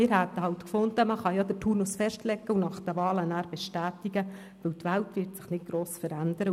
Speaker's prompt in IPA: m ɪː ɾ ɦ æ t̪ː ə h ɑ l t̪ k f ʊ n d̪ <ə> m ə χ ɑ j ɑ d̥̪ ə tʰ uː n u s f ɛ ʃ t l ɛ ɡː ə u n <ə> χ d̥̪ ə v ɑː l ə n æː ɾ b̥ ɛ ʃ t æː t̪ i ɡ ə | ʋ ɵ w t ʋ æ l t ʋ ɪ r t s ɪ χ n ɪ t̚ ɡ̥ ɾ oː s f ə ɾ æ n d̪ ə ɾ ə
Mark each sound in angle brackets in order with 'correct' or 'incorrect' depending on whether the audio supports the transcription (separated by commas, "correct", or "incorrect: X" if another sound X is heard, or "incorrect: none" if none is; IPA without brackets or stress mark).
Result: correct, incorrect: ɑ